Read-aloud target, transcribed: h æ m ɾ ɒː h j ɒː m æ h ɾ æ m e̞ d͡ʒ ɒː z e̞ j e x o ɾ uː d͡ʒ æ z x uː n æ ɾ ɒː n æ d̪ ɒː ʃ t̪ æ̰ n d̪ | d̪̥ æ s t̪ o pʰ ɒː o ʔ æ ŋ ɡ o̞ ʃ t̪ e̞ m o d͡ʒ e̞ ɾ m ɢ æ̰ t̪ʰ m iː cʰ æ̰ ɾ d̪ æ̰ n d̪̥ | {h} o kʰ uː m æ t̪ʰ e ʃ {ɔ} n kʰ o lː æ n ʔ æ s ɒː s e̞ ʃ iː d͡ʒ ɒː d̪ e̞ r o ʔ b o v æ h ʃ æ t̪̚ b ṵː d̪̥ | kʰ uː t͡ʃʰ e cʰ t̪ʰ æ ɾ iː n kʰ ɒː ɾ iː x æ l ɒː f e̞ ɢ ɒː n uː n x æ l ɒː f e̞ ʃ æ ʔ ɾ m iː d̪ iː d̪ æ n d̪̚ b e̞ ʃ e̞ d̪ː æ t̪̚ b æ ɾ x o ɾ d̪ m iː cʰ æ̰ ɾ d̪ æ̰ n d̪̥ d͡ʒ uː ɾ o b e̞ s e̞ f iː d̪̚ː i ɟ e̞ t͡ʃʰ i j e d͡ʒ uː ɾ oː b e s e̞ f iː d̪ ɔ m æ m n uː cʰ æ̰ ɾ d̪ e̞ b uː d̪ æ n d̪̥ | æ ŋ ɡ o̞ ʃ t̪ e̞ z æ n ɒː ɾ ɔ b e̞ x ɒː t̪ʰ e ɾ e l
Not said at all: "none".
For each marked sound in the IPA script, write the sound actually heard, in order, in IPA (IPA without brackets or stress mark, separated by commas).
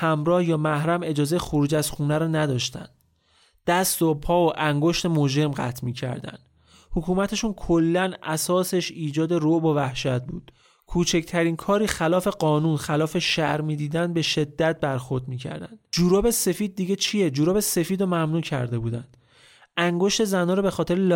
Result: h, u